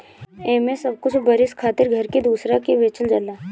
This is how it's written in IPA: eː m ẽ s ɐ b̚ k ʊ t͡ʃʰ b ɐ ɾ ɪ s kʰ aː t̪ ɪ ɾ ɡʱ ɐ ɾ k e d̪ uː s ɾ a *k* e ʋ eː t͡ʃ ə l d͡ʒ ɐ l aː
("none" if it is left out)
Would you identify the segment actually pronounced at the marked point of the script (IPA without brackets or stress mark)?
k